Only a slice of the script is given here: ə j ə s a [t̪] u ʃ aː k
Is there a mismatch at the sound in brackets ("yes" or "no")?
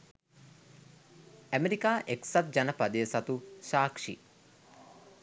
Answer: no